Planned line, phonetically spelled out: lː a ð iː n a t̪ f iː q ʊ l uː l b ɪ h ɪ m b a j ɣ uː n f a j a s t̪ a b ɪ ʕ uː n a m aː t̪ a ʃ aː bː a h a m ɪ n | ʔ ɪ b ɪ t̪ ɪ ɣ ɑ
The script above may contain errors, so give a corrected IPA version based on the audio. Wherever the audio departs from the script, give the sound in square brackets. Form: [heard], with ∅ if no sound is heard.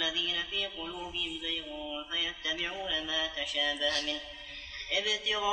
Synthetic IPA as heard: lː a ð iː n a [∅] f iː q ʊ l uː [∅] b ɪ h ɪ m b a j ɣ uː n f a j a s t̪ a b ɪ ʕ uː n a m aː t̪ a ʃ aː [b] a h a m ɪ n | ʔ ɪ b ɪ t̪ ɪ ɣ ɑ